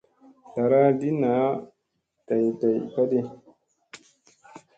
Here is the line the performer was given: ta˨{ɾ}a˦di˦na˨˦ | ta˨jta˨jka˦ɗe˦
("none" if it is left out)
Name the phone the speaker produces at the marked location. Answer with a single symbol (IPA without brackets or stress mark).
ɾ